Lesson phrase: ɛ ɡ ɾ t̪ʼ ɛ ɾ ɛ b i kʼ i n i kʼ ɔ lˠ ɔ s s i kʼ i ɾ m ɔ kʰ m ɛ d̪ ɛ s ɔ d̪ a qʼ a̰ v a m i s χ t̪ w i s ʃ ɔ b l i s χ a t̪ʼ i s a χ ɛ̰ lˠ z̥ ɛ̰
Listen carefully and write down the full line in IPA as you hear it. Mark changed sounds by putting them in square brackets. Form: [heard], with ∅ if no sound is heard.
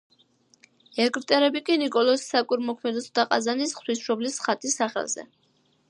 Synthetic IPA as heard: ɛ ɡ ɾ t̪ʼ ɛ ɾ ɛ b i kʼ i n i kʼ ɔ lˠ ɔ s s [a] kʼ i ɾ m ɔ kʰ m ɛ d̪ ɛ s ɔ d̪ a qʼ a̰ [z] a [n] i s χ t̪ w i s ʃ ɔ b l i s χ a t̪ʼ i s a χ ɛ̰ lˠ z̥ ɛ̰